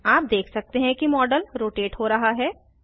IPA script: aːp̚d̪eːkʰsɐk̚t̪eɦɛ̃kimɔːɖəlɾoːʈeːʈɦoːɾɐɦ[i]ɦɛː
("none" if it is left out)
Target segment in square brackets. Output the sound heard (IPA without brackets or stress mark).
a